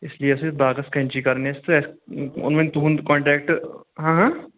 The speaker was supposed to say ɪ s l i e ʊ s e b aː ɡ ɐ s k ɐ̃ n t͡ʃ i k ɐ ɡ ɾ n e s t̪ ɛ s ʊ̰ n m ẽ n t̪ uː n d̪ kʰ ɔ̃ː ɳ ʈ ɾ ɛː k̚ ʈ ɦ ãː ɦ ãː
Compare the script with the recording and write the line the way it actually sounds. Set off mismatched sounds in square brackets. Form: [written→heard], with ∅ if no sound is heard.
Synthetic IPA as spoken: ɪ s l i e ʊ s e b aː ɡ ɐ s k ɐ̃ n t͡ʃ i k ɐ [ɡ→∅] ɾ n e s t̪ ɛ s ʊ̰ n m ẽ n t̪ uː n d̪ [kʰ→k] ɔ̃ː ɳ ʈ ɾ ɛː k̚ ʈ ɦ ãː ɦ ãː

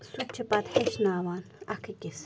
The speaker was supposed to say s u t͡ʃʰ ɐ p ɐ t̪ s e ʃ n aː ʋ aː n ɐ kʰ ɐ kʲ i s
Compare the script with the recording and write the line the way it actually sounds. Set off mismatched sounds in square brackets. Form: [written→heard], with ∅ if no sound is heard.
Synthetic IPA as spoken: s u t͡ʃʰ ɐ p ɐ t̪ [s→h] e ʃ n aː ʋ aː n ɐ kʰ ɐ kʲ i s

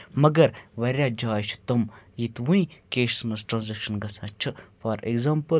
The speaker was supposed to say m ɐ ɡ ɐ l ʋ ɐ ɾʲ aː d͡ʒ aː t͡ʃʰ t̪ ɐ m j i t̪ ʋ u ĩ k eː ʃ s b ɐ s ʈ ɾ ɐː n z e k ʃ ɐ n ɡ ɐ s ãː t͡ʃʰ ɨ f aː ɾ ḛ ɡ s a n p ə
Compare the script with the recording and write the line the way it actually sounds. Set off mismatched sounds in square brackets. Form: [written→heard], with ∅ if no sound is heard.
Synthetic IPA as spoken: m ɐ ɡ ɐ [l→ɾ] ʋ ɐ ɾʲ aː d͡ʒ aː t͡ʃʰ t̪ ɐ m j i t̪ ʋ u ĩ k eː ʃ s [b→m] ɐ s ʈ ɾ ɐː n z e k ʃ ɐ n ɡ ɐ s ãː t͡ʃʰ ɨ f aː ɾ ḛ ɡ [s→z] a [n→m] p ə

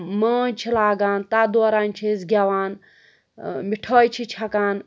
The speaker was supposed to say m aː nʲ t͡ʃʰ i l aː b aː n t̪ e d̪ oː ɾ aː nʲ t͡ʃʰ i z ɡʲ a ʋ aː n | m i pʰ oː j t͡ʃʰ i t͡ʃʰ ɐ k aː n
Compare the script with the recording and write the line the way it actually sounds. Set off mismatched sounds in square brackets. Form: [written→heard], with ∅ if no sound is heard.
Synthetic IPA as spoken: m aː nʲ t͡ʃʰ i l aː [b→ɡ] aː n t̪ [e→a] d̪ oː ɾ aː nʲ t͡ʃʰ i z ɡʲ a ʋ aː n | m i [pʰ→ʈʰ] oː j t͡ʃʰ i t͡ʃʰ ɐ k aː n

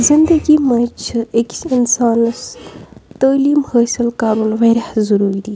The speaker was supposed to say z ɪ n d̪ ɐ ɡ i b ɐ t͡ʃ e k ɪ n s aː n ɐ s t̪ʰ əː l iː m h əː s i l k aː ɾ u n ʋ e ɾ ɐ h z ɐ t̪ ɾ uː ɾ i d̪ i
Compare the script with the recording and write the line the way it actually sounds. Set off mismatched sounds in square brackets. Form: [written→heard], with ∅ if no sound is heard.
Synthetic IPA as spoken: z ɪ n d̪ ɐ ɡ i [b→m] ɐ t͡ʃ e k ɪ n s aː n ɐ s [t̪ʰ→t̪] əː l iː m h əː s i l k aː ɾ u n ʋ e ɾ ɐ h z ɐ [t̪→∅] ɾ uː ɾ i d̪ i

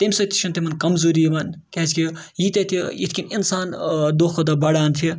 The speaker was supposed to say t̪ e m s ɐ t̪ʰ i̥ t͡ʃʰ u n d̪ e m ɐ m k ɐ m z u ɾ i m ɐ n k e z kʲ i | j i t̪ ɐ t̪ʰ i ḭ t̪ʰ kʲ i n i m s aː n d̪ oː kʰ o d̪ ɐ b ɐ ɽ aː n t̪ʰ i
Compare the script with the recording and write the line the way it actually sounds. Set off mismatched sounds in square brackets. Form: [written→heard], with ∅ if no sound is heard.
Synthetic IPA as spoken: t̪ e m s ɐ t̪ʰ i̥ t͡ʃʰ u n [d̪→t̪] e m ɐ [m→n] k ɐ m z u ɾ i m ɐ n k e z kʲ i | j i t̪ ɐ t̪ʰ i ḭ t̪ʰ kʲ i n i [m→n] s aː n d̪ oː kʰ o d̪ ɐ b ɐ ɽ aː n t̪ʰ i

